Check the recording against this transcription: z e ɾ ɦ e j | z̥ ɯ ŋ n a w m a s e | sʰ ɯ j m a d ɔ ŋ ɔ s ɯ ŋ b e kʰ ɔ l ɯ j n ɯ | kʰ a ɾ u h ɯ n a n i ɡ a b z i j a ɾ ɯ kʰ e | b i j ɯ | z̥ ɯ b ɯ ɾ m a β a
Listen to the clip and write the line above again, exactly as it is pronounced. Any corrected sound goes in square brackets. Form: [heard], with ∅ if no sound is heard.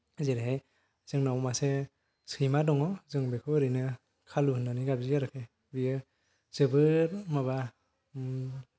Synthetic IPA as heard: z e ɾ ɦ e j | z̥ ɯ ŋ n a w m a s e | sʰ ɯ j m a d ɔ ŋ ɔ [z] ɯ ŋ b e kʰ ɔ [ɾ] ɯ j n ɯ | kʰ a [l] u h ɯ n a n i ɡ a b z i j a ɾ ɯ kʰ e | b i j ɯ | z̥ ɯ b ɯ ɾ m a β a

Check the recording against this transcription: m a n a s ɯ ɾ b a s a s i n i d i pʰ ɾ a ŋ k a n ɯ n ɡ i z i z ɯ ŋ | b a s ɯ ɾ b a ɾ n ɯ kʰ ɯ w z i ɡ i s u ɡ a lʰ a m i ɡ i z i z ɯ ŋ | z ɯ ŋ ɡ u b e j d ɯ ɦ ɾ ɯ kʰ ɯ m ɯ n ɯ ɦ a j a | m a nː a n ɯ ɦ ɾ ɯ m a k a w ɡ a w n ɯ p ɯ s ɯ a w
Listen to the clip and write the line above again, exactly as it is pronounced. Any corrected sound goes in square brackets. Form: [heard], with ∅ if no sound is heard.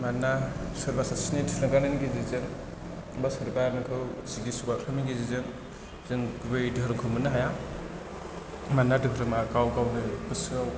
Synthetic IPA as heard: m a n a s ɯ ɾ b a s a s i n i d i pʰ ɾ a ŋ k a n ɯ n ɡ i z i z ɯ ŋ | b a s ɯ ɾ b a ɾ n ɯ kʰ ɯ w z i ɡ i s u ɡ a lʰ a m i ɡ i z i z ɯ ŋ | z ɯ ŋ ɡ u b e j d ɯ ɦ ɾ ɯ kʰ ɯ m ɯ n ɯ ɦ a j a | m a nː a [d] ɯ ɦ ɾ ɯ m a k a w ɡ a w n ɯ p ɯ s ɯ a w

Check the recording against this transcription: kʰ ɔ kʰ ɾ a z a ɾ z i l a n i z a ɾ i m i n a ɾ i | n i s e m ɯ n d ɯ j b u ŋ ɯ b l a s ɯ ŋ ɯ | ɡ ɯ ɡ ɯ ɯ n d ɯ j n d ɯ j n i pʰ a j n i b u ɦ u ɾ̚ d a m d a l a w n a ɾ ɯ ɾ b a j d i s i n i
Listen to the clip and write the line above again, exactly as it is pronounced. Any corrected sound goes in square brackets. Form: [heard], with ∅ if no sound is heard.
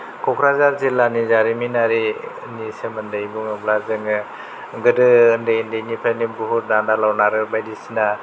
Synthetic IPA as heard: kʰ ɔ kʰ ɾ a z a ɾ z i l a n i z a ɾ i m i n a ɾ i | n i s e m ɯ n d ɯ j b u ŋ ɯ b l a [z] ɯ ŋ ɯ | ɡ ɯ [d] ɯ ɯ n d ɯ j n d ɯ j n i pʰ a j n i b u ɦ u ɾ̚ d a [n] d a l a w n a ɾ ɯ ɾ b a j d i s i n [a]

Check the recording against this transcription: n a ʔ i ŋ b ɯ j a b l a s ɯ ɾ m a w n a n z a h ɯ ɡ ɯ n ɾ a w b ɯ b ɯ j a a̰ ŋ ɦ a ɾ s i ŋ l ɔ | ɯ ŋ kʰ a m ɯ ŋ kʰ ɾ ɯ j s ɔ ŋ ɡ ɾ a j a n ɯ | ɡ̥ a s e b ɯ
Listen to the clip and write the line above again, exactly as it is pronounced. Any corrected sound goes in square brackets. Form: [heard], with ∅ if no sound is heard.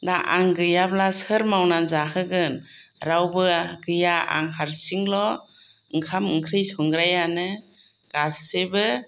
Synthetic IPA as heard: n a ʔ [a] ŋ [ɡ] ɯ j a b l a s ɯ ɾ m a w n a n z a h ɯ ɡ ɯ n ɾ a w b ɯ [ɡ] ɯ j a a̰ ŋ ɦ a ɾ s i ŋ l ɔ | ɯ ŋ kʰ a m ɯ ŋ kʰ ɾ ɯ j s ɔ ŋ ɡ ɾ a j a n ɯ | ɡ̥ a s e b ɯ

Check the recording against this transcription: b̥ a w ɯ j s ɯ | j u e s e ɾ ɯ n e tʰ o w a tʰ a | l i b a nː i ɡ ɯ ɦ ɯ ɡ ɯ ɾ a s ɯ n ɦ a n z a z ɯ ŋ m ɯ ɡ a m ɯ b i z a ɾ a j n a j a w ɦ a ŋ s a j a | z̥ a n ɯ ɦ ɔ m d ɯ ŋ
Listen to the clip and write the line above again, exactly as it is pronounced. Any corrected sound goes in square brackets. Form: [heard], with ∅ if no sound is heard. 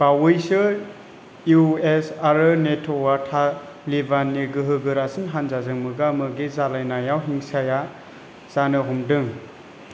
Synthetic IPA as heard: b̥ a w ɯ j s ɯ | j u e s [a] ɾ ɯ n e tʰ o w a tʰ a | l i b a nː i ɡ ɯ ɦ ɯ ɡ ɯ ɾ a s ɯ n ɦ a n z a z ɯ ŋ m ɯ ɡ a m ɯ [ɡ] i z a [l] a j n a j a w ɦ [i] ŋ s a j a | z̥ a n ɯ ɦ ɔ m d ɯ ŋ

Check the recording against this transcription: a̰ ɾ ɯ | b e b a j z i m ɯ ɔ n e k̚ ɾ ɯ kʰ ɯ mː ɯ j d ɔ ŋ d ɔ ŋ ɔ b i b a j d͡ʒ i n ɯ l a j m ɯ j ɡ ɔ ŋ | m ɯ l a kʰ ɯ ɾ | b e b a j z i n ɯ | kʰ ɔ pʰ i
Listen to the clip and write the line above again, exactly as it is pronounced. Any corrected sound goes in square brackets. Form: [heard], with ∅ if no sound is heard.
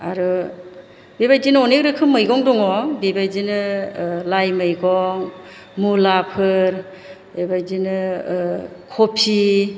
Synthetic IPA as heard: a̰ ɾ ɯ | b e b a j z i [n] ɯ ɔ n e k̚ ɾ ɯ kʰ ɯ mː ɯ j [ɡ] ɔ ŋ d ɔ ŋ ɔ b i b a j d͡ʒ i n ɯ l a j m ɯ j ɡ ɔ ŋ | m [u] l a [pʰ] ɯ ɾ | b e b a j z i n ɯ | kʰ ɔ pʰ i

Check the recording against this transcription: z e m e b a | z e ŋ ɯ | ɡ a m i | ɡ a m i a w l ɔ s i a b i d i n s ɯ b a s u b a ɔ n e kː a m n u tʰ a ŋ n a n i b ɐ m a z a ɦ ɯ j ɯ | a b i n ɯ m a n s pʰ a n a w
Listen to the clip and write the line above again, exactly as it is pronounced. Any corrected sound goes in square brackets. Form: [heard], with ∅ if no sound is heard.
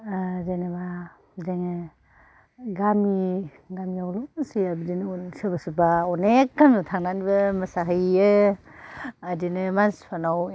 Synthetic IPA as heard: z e [n] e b a | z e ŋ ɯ | ɡ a m i | ɡ a m i a w l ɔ s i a b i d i n s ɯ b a s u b a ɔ n e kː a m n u tʰ a ŋ n a n i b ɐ m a [s] a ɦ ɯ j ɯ | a [d] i n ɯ m a n s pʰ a n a w

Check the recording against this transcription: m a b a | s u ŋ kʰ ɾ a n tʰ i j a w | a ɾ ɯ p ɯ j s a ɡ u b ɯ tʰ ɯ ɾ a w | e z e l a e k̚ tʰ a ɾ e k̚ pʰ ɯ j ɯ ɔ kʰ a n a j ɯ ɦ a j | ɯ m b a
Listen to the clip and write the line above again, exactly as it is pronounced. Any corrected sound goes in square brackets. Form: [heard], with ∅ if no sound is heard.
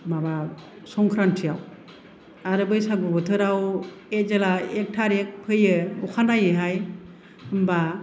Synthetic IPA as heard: m a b a | s [ɔ] ŋ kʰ ɾ a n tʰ i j a w | a ɾ ɯ [b] ɯ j s a ɡ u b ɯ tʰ ɯ ɾ a w | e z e l a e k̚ tʰ a ɾ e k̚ pʰ ɯ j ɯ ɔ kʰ a n a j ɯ ɦ a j | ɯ m b a

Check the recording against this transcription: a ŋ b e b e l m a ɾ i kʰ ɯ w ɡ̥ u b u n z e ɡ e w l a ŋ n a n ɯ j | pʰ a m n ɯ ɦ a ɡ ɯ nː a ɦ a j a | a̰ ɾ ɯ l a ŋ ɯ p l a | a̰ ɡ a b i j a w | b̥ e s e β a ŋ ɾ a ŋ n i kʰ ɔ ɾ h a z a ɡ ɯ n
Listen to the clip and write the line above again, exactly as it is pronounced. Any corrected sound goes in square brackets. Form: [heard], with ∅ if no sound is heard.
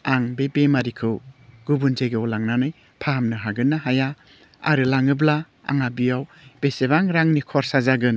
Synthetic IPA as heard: a ŋ b e b e [∅] m a ɾ i kʰ ɯ w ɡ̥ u b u n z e ɡ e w l a ŋ n a n ɯ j | pʰ a m n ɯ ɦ a ɡ ɯ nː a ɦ a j a | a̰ ɾ ɯ l a ŋ ɯ [b] l a | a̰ [ŋ] a b i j a w | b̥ e s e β a ŋ ɾ a ŋ n i kʰ ɔ ɾ [s] a z a ɡ ɯ n

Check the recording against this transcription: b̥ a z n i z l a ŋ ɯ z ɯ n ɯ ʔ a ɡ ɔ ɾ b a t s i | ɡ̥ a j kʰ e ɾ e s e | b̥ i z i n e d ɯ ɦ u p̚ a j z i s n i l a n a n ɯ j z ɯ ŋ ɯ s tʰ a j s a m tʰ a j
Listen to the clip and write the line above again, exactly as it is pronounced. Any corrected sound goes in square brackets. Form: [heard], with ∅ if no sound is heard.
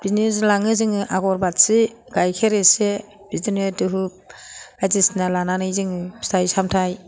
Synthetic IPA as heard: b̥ [i] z n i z l a ŋ ɯ z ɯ [ŋ] ɯ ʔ a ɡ ɔ ɾ b a t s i | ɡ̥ a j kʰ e ɾ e s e | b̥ i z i n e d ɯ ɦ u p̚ a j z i s n [a] l a n a n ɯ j z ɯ ŋ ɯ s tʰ a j s a m tʰ a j

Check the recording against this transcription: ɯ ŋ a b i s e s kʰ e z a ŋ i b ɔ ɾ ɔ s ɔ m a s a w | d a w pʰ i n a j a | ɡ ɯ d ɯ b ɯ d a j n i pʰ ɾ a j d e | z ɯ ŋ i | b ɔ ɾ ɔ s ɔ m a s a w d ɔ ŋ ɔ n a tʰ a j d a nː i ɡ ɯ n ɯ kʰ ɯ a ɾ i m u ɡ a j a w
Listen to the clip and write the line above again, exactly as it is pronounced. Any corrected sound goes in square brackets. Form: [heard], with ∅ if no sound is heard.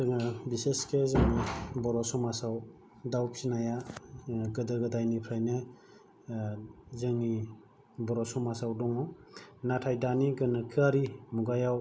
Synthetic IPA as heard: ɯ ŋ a b i s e s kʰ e z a ŋ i b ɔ ɾ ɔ s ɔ m a s a w | d a w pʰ i n a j a | ɡ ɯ d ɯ [ɡ] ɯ d a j n i pʰ ɾ a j [n] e | z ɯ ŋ i | b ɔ ɾ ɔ s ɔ m a s a w d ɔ ŋ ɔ n a tʰ a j d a [n] i ɡ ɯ n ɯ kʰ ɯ a ɾ i m u ɡ a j a w

